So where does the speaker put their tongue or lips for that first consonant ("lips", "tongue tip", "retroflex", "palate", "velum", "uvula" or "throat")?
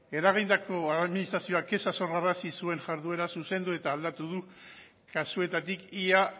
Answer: tongue tip